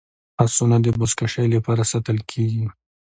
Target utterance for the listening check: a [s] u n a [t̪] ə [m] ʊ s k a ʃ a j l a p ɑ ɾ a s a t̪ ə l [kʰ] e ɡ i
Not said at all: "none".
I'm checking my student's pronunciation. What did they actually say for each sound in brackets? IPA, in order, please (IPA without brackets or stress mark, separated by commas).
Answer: s, d̪, b, kʰ